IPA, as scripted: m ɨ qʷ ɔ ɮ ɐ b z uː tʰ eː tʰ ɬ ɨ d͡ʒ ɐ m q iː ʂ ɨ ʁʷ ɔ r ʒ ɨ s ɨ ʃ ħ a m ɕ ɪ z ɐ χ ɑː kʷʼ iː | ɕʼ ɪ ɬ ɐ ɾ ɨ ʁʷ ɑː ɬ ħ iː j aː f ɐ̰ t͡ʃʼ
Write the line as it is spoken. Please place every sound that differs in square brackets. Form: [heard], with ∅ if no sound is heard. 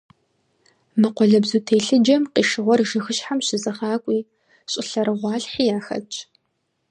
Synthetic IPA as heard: m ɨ qʷ ɔ ɮ ɐ b z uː tʰ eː [∅] ɬ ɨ d͡ʒ ɐ m q iː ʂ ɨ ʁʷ ɔ r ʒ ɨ [x] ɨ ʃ ħ a m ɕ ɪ z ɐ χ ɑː kʷʼ iː | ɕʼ ɪ ɬ ɐ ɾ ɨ ʁʷ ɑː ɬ ħ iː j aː [x] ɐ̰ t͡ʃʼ